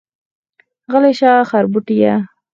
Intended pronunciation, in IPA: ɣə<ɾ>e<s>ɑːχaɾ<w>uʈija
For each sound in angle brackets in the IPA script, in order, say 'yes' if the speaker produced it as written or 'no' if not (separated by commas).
no, no, no